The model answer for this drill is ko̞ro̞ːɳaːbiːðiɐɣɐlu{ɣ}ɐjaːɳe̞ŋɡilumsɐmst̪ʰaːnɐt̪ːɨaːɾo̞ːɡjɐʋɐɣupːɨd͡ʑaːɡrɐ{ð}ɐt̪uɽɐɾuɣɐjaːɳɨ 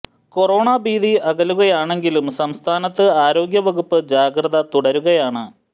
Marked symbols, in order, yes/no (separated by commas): yes, yes